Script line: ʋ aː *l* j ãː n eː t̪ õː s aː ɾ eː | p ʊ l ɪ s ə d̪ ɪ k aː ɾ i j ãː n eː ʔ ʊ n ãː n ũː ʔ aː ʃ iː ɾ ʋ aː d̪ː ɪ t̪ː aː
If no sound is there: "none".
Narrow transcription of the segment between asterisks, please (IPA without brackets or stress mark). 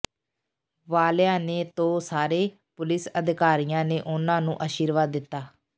l